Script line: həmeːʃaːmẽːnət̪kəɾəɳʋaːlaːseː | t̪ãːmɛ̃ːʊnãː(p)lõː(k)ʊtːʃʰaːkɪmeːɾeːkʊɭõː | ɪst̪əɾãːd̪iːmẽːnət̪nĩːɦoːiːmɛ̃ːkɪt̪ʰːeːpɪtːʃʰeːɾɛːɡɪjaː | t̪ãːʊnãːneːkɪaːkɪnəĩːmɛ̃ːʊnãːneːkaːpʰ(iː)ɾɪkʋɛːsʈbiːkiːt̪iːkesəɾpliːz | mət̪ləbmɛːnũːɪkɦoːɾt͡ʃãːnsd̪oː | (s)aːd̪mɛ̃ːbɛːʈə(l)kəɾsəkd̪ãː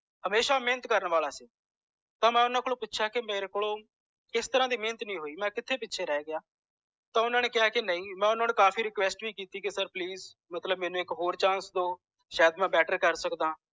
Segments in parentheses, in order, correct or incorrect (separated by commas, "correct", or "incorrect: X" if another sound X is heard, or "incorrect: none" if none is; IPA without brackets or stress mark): incorrect: k, incorrect: p, correct, incorrect: ʃ, incorrect: ɾ